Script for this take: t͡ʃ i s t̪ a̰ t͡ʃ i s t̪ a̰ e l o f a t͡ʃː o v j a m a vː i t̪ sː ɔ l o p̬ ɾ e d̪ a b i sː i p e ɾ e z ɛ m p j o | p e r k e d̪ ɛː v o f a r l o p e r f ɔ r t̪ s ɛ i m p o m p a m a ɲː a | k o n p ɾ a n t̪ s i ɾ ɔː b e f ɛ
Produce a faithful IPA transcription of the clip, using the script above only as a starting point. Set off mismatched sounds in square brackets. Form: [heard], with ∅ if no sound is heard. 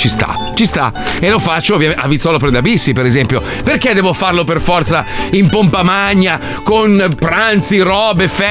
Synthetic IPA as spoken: t͡ʃ i s t̪ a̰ t͡ʃ i s t̪ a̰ e l o f a t͡ʃː o v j a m a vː i t̪ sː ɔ l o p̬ ɾ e d̪ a b i sː i p e ɾ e z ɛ m p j o | p e r k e d̪ ɛː v o f a r l o p e r f ɔ r t̪ s [a] i m p o m p a m a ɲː a | k o n p ɾ a n t̪ s i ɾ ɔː b e f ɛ